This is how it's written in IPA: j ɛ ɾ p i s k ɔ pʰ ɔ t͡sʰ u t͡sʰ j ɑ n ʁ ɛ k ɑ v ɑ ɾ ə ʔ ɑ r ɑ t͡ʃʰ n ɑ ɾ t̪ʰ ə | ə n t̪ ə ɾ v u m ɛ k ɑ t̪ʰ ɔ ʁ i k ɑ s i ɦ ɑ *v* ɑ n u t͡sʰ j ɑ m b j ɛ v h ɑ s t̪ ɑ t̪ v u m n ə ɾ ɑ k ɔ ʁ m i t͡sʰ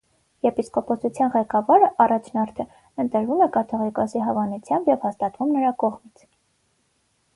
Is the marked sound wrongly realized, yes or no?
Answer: no